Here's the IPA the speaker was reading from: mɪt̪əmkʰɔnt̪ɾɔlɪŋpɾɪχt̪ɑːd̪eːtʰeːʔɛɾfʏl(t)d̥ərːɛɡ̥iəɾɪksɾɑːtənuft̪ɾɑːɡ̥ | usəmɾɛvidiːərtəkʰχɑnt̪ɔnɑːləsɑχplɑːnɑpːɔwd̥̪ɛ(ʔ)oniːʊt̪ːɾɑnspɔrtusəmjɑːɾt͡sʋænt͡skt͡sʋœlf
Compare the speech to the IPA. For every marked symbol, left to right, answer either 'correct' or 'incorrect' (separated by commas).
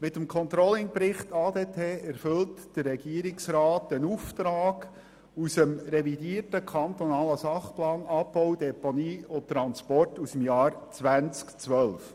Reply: correct, incorrect